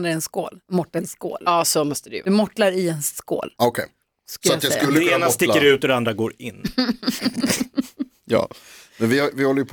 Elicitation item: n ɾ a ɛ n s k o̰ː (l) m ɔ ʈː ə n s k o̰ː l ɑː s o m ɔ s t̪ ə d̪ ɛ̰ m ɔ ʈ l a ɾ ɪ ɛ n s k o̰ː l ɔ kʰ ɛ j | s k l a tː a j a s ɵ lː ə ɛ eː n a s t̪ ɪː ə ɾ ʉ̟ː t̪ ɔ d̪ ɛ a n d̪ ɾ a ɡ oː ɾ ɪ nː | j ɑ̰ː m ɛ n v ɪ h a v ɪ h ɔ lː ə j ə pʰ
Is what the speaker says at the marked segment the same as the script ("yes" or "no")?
yes